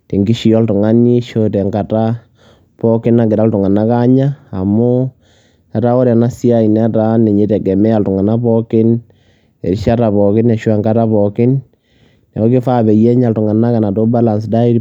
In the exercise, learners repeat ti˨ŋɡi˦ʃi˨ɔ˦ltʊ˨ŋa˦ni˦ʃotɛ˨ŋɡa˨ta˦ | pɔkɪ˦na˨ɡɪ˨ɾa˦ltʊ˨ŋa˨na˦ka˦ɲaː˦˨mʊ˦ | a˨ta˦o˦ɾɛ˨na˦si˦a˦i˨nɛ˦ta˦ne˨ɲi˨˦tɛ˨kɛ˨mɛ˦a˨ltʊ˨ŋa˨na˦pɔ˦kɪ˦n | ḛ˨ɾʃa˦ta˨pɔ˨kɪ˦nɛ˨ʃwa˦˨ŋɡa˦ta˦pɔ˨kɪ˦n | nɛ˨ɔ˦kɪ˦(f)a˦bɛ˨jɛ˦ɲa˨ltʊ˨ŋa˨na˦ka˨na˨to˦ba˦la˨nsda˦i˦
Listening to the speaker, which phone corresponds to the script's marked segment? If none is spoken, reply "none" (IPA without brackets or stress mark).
f